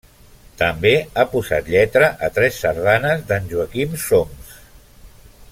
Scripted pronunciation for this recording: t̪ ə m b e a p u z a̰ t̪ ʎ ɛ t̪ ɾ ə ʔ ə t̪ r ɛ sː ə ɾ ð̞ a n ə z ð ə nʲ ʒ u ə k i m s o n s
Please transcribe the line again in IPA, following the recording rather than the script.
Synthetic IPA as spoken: t̪ ə m b e a p u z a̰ t̪ ʎ ɛ t̪ ɾ ə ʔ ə t̪ ɾ ɛ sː ə ɾ ð̞ a n ə z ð ə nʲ ʒ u ə k i m s o m s